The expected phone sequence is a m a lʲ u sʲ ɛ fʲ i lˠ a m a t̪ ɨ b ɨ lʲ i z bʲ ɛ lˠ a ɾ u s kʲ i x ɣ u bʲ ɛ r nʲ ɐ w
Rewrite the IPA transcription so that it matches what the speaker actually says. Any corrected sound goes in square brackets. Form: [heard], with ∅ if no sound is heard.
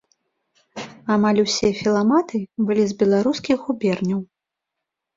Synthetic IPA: a m a lʲ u sʲ ɛ fʲ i lˠ a m a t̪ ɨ b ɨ lʲ i z bʲ ɛ lˠ a ɾ u s kʲ i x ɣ u bʲ ɛ r nʲ ɐ w